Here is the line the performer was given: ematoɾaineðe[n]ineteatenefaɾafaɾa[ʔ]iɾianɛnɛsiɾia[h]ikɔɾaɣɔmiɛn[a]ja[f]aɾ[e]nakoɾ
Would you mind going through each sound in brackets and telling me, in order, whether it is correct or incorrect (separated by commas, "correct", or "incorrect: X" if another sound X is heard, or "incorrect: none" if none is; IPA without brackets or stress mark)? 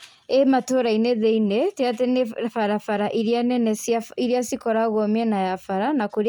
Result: incorrect: none, correct, incorrect: s, correct, correct, incorrect: a